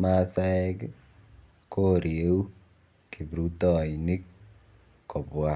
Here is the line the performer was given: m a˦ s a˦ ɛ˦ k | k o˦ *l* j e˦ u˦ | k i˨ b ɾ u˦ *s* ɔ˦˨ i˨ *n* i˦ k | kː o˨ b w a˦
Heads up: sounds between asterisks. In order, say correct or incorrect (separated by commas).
incorrect, incorrect, correct